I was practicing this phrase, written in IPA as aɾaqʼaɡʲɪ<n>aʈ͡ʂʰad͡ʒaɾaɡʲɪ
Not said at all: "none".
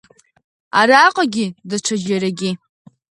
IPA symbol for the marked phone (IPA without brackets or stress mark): d